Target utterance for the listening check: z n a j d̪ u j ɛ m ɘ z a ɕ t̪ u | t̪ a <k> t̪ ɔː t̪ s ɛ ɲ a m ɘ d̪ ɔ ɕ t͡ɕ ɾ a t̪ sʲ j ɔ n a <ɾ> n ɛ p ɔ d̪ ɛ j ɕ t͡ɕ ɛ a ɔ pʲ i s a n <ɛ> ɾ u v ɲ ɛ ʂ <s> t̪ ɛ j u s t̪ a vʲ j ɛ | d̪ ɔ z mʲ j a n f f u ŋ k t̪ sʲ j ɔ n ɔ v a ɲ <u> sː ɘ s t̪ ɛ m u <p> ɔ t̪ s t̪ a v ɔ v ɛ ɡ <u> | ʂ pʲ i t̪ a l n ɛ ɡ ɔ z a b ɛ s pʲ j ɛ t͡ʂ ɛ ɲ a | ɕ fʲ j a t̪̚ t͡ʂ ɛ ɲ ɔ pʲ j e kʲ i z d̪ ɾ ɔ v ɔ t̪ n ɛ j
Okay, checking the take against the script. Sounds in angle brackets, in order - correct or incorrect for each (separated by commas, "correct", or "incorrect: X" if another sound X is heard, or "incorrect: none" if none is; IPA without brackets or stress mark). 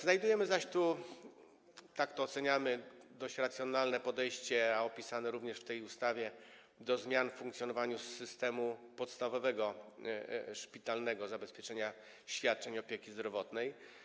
correct, incorrect: l, correct, incorrect: f, correct, correct, incorrect: ɔ